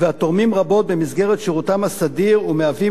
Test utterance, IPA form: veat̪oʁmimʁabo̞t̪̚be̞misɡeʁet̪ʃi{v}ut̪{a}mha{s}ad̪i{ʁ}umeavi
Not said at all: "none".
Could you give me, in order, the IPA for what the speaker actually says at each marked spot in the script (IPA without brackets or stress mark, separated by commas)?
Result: ʁ, a, s, ʁ